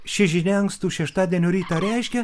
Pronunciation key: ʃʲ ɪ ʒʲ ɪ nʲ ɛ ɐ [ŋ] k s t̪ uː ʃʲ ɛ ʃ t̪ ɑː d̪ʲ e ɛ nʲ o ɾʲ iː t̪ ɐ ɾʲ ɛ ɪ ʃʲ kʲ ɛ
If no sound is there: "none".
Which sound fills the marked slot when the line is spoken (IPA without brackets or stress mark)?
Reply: ŋ